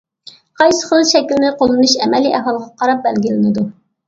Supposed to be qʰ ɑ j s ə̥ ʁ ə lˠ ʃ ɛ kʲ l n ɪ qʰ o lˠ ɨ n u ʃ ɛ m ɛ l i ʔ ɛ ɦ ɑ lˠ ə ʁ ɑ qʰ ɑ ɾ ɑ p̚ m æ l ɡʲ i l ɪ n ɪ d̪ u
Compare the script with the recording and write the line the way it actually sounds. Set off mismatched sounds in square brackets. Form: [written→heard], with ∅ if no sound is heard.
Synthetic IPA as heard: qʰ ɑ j s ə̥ [ʁ→χ] ə lˠ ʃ ɛ kʲ l n ɪ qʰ o lˠ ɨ n u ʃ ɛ m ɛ l i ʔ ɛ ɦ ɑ lˠ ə ʁ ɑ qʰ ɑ ɾ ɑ p̚ [m→b] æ l ɡʲ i l ɪ n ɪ d̪ u